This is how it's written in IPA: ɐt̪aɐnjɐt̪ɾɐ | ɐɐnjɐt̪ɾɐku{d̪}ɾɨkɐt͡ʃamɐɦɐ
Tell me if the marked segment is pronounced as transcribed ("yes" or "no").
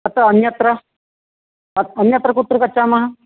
no